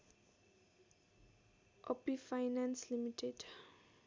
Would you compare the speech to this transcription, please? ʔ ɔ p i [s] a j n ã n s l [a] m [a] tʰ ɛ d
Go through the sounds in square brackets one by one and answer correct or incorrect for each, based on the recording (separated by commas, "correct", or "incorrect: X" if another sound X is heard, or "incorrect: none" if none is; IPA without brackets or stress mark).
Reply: incorrect: f, incorrect: i, incorrect: i